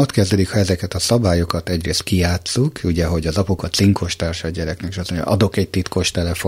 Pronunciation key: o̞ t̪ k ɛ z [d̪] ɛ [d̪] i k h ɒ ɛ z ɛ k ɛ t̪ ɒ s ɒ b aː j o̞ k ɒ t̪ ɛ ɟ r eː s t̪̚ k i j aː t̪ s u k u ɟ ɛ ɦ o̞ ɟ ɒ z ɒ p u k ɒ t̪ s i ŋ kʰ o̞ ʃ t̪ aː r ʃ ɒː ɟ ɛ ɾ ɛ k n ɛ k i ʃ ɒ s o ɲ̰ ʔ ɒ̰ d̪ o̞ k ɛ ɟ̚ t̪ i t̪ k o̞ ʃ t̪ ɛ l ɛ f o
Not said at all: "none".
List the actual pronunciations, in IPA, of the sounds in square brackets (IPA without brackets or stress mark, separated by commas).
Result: d̪, d̪